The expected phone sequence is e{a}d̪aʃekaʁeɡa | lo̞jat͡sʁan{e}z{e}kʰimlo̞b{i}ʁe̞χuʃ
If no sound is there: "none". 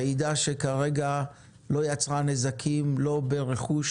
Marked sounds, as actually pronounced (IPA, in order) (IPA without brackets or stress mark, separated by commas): i, e, a, e